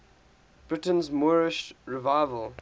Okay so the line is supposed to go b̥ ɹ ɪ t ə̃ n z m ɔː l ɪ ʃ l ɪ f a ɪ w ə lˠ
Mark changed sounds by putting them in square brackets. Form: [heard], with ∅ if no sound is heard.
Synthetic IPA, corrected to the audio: b̥ ɹ ɪ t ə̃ n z m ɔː [ɹ] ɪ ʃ [ɹ] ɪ [v] a ɪ [v] ə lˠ